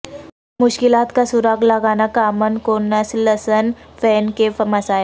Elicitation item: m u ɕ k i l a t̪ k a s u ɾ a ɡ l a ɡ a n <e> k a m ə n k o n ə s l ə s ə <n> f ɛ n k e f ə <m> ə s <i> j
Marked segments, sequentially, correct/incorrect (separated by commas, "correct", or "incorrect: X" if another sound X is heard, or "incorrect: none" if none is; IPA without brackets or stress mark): incorrect: a, correct, correct, incorrect: a